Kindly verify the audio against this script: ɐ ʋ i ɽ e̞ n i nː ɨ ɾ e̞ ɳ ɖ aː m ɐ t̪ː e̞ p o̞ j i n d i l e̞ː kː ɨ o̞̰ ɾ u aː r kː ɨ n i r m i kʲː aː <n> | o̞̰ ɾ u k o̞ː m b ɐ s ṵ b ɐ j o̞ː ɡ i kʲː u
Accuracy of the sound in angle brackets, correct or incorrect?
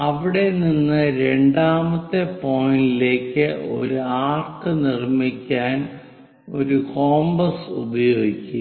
correct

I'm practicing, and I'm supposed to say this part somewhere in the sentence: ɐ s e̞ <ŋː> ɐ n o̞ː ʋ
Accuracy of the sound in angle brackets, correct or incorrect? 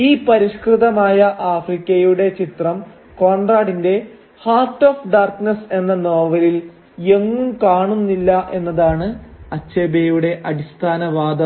incorrect: nː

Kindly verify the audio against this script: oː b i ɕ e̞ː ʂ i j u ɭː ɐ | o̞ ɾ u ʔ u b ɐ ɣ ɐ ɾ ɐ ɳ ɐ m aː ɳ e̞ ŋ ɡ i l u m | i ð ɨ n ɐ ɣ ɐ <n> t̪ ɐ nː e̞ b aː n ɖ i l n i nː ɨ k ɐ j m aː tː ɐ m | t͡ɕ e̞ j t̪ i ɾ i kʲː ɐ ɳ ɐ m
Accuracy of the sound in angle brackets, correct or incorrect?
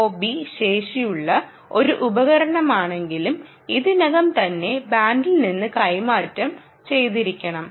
incorrect: m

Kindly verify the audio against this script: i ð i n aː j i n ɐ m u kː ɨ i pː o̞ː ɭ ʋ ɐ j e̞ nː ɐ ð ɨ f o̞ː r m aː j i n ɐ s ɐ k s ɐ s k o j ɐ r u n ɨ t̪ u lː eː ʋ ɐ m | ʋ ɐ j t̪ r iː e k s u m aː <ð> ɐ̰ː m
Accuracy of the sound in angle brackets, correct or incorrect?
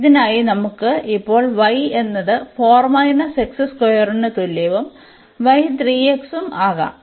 incorrect: ɣ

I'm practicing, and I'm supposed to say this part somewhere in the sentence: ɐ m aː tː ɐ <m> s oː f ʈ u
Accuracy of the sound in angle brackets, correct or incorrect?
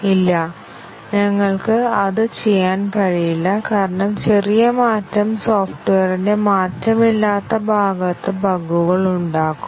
correct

